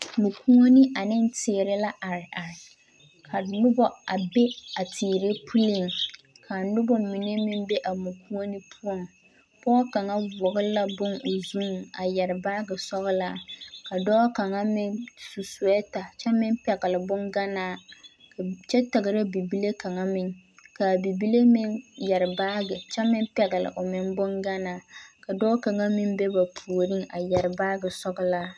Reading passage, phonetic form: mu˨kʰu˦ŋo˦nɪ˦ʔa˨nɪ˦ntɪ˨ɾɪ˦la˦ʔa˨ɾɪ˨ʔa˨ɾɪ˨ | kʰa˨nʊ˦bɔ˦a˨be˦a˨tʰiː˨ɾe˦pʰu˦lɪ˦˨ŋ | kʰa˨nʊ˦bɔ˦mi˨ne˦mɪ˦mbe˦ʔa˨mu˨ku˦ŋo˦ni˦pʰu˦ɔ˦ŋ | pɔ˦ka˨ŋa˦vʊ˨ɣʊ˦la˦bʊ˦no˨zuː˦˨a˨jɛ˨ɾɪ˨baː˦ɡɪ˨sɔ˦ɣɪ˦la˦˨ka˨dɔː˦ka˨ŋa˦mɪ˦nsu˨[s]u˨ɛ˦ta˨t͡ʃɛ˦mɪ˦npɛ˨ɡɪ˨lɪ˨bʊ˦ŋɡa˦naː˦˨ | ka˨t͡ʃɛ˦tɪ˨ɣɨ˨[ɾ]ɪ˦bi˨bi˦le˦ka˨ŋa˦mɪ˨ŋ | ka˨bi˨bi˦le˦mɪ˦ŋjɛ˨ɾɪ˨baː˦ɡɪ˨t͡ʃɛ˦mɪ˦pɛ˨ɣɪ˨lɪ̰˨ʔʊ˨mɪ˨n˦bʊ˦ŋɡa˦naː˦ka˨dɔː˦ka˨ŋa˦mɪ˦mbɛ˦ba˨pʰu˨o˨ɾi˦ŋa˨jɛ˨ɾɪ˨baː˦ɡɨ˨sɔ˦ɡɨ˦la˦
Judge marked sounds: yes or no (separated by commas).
yes, yes